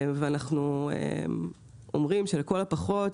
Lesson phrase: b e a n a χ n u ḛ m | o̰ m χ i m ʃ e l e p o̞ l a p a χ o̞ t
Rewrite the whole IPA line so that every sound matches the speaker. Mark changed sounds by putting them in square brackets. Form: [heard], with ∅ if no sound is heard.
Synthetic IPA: [v] e a n a χ n u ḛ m | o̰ m [ʁ] i m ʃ e l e [k] o̞ l a p a χ o̞ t